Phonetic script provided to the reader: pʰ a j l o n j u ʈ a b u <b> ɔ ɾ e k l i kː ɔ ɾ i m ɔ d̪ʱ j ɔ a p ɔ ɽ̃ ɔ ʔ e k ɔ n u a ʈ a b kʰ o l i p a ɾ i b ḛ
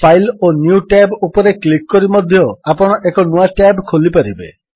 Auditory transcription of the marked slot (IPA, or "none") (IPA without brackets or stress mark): p